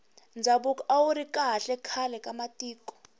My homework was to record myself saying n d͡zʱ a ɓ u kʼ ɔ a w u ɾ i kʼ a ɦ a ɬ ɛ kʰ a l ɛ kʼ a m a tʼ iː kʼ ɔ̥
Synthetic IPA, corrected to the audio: n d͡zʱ a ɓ u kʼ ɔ a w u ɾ i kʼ a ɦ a ɬ ɛ kʰ a l ɛ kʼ a m a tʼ iː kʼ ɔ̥

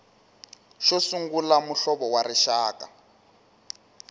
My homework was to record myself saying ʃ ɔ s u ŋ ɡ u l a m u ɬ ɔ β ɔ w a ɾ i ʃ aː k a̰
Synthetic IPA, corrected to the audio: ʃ ɔ s u ŋ ɡ u l a m u ɬ ɔ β ɔ w a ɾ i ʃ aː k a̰

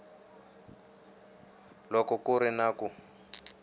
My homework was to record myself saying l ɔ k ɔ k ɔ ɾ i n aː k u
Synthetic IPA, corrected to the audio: l ɔ k ɔ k u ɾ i n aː k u

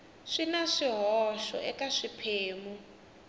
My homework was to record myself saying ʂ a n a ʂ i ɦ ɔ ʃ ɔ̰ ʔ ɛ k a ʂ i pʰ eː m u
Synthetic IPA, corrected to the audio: ʂ i n a ʂ i ɦ ɔ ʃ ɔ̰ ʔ ɛ k a ʂ i pʰ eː m u

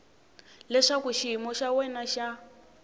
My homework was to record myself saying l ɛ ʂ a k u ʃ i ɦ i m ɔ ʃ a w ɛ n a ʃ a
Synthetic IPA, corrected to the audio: l ɛ ʂ a k u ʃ i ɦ i m ɔ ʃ a w ɛ n a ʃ a

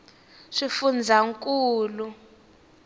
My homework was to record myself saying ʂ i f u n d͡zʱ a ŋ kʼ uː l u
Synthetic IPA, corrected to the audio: ʂ i f u n d͡zʱ a ŋ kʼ uː l u

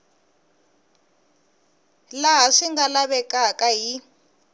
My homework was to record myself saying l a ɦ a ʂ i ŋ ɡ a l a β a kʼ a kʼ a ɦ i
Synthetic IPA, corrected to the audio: l a ɦ a ʂ i ŋ ɡ a l a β ɛ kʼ a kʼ a ɦ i

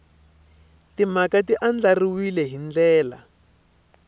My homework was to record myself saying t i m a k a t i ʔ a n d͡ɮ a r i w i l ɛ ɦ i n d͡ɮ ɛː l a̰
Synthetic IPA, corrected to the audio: t i m a k a t i ʔ a n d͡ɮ a r i w i l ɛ ɦ i n d͡ɮ ɛː l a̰

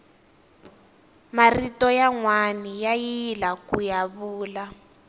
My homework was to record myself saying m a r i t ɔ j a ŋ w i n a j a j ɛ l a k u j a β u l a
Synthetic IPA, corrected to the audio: m a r i t ɔ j a ŋ w a n i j a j i l a k u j a β uː l a

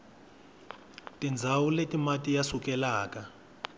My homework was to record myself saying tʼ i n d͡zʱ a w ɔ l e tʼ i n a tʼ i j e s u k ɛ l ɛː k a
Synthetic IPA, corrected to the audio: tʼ i n d͡zʱ a w u l e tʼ i m a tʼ i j a s u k ɛ l aː k a

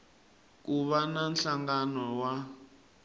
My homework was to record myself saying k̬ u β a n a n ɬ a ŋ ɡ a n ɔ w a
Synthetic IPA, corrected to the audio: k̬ u β a n a n ɬ a ŋ ɡ a n ɔ w a

